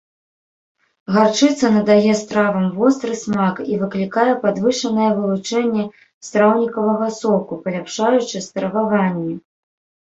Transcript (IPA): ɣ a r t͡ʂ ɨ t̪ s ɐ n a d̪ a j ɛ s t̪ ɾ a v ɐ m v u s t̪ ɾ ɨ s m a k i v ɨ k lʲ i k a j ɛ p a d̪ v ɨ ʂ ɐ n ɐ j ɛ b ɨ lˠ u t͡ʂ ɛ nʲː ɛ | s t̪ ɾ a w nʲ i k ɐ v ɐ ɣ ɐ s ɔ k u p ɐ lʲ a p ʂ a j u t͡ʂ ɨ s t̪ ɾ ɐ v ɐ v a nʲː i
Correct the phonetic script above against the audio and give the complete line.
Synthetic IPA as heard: ɣ a r t͡ʂ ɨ t̪ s ɐ n ɐ d̪ a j ɛ s t̪ ɾ a v ɐ m v ɔ s t̪ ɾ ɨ s m a k i v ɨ k lʲ i k a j ɛ p a d̪ v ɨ ʂ ɐ n ɐ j ɛ v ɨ lˠ u t͡ʂ ɛ nʲː ɛ | s t̪ ɾ a w nʲ i k ɐ v ɐ ɣ ɐ s ɔ k u p ɐ lʲ a p ʂ a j u t͡ʂ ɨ s t̪ ɾ ɐ v a v a nʲː i

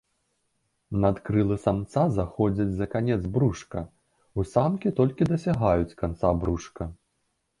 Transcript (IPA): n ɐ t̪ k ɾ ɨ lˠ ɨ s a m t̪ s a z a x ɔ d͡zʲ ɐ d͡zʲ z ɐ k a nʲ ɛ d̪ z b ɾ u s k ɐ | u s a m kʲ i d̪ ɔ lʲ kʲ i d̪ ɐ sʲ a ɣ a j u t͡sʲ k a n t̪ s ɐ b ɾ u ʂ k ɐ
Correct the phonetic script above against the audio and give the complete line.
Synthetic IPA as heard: n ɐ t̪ k ɾ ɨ lˠ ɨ s a m t̪ s a z a x ɔ d͡zʲ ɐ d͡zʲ z ɐ k a nʲ ɛ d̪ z b ɾ u ʂ k ɐ | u s a m kʲ i t̪ ɔ lʲ kʲ i d̪ ɐ sʲ a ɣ a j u t͡sʲ k a n t̪ s a b ɾ u ʂ k ɐ

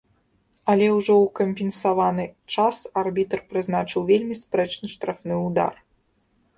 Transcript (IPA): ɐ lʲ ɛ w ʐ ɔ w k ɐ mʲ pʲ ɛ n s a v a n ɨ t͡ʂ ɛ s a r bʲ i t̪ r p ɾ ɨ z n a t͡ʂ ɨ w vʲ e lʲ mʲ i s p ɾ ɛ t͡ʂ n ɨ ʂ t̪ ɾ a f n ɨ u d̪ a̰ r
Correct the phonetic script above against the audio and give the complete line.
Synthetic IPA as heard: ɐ lʲ ɛ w ʐ ɔ w k ɐ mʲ pʲ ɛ n s a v a n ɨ t͡ʂ a s a r bʲ i t̪ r p ɾ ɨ z n a t͡ʂ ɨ w vʲ e lʲ mʲ i s p ɾ ɛ t͡ʂ n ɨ ʂ t̪ ɾ a f n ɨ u d̪ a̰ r

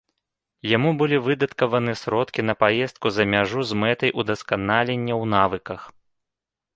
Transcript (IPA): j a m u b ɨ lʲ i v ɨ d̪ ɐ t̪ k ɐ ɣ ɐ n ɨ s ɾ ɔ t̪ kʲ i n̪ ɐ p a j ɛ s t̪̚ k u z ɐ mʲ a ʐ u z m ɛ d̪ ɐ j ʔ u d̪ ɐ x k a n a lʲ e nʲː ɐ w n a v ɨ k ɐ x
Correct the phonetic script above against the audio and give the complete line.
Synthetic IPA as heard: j a m u b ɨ lʲ i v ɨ d̪ ɐ t̪ k ɐ v ɐ n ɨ s ɾ ɔ t̪ kʲ i n̪ ɐ p a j ɛ s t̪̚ k u z ɐ mʲ a ʐ u z m ɛ t̪ ɐ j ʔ u d̪ ɐ s k a n a lʲ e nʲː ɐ w n a v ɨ k ɐ x

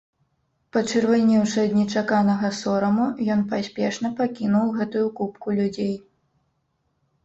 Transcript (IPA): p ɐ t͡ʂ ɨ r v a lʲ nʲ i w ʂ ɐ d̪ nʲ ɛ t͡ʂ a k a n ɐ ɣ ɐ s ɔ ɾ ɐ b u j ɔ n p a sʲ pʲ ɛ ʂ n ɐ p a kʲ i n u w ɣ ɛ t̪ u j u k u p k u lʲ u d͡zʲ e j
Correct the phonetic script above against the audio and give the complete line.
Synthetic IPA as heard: p ɐ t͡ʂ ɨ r v a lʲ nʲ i w ʂ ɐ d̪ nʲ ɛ t͡ʂ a k a n ɐ ɣ ɐ s ɔ ɾ ɐ m u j ɔ n p a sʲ pʲ ɛ ʂ n ɐ p a kʲ i n u w ɣ ɛ t̪ u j u k u p k u lʲ u d͡zʲ e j

